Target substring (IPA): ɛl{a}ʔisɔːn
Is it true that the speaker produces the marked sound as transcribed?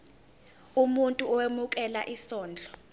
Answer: yes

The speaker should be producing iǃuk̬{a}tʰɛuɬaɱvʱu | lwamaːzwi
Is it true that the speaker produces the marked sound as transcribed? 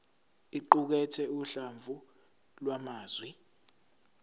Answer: no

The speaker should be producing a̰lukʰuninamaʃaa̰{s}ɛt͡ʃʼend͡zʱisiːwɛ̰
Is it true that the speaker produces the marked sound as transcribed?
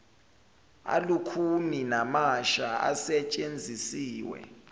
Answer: yes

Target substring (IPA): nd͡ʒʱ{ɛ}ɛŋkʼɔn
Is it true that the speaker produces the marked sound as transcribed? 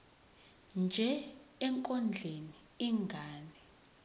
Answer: yes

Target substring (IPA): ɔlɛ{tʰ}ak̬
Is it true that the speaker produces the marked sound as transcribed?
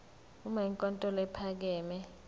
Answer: no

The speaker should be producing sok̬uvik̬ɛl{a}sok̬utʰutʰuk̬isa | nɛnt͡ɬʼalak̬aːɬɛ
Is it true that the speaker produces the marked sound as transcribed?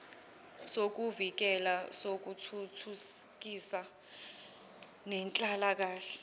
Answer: yes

